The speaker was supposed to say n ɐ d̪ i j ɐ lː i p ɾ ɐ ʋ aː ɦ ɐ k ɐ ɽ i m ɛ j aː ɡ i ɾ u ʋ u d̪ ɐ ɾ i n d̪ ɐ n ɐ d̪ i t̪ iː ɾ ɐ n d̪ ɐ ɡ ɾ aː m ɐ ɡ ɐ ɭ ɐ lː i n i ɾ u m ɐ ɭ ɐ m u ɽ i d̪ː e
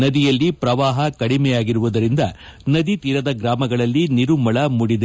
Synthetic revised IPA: n ɐ d̪ i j ɐ lː i p ɾ ɐ ʋ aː ɦ ɐ k ɐ ɽ i m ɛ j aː ɡ i ɾ u ʋ u d̪ ɐ ɾ i n d̪ ɐ n ɐ d̪ i t̪ iː ɾ ɐ d̪ ɐ ɡ ɾ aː m ɐ ɡ ɐ ɭ ɐ lː i n i ɾ u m ɐ ɭ ɐ m u ɽ i d̪ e